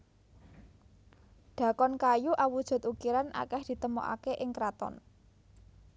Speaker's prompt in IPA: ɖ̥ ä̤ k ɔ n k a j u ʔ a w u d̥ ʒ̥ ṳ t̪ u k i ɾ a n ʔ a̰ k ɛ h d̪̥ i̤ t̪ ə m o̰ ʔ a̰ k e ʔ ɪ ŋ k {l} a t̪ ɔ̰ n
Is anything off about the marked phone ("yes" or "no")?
yes